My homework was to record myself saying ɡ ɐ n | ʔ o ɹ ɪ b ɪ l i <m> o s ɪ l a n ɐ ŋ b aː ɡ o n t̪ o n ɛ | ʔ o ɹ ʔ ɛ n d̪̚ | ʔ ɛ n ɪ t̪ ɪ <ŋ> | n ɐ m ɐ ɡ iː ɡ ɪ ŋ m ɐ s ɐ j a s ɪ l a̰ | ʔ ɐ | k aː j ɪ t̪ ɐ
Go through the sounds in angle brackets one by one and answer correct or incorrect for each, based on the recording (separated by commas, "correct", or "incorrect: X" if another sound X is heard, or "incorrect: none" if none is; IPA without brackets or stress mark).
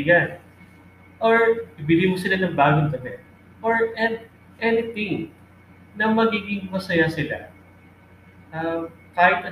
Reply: correct, correct